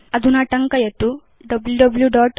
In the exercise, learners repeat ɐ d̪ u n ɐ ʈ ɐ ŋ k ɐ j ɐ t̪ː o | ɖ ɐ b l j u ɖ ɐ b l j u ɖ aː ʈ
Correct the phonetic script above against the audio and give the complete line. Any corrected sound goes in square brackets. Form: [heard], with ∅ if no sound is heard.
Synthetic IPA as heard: ɐ d̪ u n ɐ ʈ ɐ ŋ k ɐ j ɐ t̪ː [u] | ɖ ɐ b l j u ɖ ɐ b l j u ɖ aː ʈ